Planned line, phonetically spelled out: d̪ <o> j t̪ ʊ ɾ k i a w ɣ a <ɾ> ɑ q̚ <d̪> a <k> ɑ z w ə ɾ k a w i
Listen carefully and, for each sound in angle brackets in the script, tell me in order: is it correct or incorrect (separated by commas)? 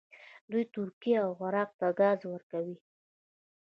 incorrect, correct, incorrect, incorrect